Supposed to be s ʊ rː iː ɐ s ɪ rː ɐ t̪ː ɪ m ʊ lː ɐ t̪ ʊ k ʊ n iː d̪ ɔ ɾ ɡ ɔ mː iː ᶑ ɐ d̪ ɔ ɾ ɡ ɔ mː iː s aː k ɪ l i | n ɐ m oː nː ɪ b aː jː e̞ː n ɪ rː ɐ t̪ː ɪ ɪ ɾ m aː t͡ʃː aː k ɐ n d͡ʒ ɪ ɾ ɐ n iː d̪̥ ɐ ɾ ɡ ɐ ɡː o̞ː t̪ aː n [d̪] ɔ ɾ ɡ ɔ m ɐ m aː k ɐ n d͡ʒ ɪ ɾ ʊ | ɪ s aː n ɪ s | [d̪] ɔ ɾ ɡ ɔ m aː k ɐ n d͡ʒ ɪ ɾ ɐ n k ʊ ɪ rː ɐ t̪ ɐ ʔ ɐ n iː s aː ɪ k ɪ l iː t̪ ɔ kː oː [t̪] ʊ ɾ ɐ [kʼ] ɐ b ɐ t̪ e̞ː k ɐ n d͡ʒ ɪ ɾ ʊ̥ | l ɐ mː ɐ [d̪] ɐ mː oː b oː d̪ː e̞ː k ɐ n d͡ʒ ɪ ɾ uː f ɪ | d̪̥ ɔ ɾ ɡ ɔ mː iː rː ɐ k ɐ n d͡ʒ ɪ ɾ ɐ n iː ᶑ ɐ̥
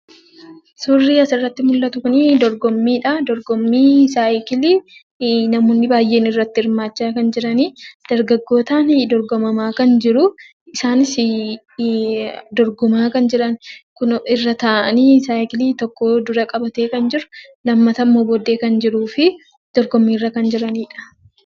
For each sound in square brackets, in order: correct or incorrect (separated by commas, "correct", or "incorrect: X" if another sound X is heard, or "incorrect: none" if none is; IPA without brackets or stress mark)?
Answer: correct, correct, incorrect: d̪, correct, incorrect: t̪